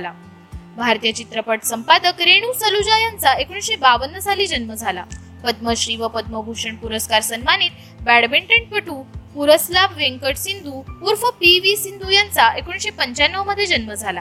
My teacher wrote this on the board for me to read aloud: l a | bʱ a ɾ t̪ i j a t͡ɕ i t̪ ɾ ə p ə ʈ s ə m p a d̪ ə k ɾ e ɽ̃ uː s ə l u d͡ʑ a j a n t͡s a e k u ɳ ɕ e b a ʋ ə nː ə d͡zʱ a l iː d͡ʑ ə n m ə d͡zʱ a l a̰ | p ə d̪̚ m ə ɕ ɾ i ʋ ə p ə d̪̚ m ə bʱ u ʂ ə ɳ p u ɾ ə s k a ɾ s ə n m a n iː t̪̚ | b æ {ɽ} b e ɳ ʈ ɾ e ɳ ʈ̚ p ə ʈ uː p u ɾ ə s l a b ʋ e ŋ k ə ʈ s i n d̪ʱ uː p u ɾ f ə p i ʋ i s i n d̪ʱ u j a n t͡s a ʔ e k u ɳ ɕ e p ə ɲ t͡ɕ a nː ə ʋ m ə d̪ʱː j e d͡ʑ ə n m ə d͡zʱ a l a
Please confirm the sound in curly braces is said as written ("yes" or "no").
yes